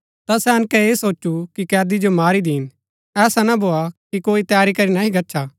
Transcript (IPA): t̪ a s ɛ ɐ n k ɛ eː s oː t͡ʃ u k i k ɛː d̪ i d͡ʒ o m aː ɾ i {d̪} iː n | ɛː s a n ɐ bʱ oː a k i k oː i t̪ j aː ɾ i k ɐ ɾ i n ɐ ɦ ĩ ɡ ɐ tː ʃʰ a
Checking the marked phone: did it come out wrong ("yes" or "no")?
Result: no